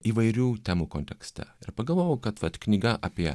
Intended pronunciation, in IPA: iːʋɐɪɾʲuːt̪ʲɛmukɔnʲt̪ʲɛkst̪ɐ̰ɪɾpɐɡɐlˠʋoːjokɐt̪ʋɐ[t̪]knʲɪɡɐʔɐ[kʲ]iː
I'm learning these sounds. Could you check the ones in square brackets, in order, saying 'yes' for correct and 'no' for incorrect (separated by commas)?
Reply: yes, no